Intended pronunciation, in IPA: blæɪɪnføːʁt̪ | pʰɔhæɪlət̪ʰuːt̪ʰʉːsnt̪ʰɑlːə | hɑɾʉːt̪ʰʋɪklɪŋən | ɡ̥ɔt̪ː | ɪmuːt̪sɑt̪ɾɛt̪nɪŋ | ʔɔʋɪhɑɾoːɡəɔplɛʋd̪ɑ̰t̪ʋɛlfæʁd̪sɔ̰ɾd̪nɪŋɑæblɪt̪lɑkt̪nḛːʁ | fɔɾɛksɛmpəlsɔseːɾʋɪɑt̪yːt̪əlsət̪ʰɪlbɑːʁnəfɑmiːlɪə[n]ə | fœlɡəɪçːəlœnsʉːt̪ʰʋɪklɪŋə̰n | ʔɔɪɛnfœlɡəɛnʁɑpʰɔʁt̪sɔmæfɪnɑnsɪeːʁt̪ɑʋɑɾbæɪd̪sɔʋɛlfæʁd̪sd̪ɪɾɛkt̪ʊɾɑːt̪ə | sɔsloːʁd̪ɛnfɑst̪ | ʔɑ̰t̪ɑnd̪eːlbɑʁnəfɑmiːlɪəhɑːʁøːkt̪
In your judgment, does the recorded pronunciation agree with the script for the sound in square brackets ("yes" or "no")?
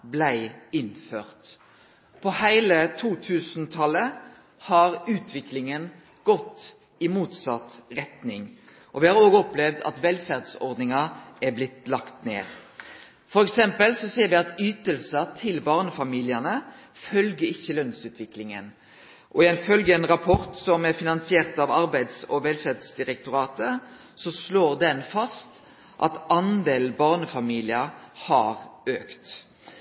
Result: yes